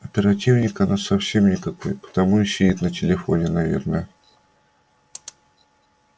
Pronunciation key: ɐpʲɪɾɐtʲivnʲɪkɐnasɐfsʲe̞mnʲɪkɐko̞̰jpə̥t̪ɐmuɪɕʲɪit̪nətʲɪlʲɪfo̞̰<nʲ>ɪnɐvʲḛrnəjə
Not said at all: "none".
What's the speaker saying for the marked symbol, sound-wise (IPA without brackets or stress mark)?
nʲ